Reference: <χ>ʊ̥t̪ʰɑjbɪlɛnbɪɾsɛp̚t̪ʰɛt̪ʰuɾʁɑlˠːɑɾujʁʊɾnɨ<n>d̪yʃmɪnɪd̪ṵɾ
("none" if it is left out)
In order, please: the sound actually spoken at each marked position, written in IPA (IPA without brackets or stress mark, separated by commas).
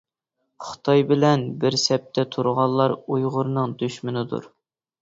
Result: χ, ŋ